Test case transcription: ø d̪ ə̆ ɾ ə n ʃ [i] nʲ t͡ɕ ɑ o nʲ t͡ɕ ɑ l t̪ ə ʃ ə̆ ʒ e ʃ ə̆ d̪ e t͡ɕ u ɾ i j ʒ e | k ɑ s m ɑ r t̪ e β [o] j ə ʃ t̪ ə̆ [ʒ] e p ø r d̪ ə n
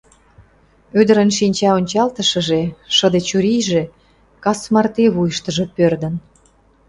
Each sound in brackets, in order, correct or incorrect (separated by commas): correct, incorrect, correct